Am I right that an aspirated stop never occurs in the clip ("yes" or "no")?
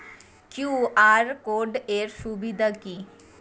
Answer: yes